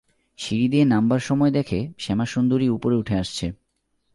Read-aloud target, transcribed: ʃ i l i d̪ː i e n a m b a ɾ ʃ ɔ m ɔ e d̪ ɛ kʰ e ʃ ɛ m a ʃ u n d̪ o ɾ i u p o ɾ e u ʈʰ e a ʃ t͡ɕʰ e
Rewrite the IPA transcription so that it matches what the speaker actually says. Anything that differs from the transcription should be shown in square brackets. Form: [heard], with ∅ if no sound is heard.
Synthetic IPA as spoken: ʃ i [ɾ] i [d̪] i e n a m b a ɾ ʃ ɔ m ɔ e d̪ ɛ kʰ e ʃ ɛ m a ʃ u n d̪ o ɾ i u p o ɾ e u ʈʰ e a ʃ t͡ɕʰ e